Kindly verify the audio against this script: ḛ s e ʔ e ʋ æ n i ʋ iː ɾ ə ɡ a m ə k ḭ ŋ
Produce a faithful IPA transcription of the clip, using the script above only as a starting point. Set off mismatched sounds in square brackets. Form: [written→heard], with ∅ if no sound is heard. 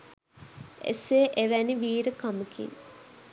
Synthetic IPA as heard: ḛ s e ʔ e ʋ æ n i ʋ iː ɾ ə [ɡ→k] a m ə k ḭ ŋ